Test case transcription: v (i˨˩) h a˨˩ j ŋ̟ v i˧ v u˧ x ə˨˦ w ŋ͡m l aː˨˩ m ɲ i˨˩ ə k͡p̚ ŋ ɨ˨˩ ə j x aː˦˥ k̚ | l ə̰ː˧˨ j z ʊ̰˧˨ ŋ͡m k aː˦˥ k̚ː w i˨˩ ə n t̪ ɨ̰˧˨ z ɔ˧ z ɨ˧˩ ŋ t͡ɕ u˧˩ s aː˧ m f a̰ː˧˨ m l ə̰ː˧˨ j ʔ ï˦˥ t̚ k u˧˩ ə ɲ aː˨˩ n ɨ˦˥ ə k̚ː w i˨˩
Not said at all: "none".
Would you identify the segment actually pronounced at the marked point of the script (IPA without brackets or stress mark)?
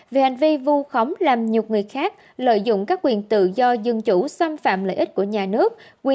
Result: e˨˩